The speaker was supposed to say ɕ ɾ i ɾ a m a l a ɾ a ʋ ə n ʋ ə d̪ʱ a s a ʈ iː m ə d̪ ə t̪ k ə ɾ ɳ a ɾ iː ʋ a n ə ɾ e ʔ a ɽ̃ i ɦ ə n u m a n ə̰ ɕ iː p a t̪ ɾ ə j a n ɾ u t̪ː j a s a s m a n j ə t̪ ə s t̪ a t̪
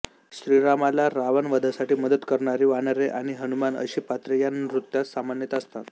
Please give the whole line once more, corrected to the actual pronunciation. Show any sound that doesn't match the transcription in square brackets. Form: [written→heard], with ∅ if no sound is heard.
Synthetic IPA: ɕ ɾ i ɾ a m a l a ɾ a ʋ ə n ʋ ə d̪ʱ a s a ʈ iː m ə d̪ ə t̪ k ə ɾ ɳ a ɾ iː ʋ a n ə ɾ e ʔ a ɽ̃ i ɦ ə n u m a n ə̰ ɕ iː p a t̪ ɾ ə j a n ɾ u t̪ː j a s a [s→∅] m a n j ə t̪ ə s t̪ a t̪